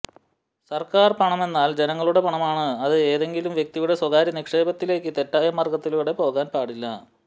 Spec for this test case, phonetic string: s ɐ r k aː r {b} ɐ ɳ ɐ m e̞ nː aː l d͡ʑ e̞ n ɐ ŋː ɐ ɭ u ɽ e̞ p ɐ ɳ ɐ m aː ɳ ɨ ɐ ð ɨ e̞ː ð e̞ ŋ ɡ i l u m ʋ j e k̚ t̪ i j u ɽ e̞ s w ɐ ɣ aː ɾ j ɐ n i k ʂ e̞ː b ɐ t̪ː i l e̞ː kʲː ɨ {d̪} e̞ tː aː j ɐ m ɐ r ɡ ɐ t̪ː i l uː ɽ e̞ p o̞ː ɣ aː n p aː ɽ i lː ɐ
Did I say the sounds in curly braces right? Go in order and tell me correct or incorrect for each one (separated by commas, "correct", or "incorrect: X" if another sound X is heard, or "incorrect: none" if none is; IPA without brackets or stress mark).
incorrect: p, incorrect: t̪